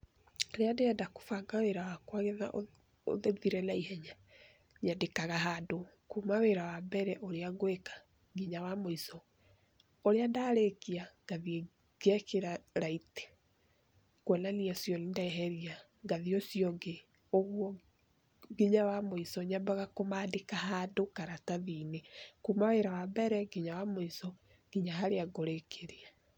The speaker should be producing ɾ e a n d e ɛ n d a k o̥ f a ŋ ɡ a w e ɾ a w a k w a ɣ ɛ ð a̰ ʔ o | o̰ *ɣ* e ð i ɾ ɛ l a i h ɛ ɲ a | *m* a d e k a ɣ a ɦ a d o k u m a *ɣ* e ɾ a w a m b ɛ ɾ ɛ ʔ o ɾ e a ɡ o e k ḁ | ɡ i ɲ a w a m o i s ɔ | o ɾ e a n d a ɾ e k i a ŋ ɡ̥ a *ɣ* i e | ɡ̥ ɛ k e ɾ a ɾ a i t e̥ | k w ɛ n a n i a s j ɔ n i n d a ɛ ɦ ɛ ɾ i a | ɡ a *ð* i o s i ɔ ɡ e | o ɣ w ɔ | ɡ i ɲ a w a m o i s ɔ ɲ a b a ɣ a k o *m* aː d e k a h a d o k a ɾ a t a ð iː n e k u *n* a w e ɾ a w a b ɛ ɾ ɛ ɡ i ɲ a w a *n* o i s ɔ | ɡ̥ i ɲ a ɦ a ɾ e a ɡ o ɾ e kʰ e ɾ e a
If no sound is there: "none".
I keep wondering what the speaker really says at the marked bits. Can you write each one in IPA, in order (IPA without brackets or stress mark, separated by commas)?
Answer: ð, ɲ, w, ð, ð, m, m, m